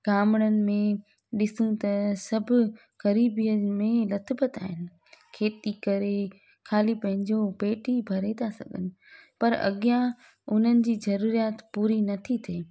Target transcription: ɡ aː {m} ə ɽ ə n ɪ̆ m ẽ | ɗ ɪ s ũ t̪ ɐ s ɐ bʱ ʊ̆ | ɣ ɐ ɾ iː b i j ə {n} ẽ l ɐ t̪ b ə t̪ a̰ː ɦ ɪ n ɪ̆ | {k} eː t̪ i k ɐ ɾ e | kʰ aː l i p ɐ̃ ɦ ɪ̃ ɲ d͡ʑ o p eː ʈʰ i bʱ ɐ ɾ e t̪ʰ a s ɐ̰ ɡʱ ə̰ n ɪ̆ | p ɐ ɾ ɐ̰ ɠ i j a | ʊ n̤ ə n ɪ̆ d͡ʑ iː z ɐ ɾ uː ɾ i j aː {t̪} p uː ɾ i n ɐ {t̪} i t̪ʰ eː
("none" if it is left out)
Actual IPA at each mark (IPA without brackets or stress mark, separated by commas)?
m, m, kʰ, t̪, t̪ʰ